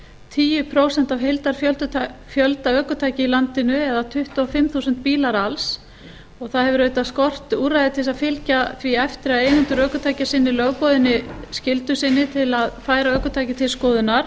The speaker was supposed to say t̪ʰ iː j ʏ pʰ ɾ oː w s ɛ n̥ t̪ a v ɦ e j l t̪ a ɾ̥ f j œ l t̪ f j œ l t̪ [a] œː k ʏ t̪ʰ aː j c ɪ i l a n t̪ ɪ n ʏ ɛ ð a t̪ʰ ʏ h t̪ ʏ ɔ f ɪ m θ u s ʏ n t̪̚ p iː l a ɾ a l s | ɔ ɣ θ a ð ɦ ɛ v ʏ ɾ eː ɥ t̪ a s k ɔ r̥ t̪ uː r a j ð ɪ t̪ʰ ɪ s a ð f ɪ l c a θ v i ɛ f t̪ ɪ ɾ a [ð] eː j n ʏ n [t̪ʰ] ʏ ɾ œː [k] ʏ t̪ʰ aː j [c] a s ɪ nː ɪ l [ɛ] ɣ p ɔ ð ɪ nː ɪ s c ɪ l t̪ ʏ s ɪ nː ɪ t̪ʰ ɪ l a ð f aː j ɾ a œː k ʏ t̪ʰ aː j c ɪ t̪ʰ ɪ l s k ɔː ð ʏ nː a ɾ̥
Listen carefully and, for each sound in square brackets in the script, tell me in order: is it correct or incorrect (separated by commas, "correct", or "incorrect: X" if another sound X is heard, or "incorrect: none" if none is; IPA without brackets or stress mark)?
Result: correct, correct, incorrect: t̪, correct, correct, incorrect: œ